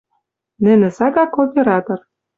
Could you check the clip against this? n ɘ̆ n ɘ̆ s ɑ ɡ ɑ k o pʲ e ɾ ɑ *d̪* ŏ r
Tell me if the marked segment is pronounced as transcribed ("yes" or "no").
no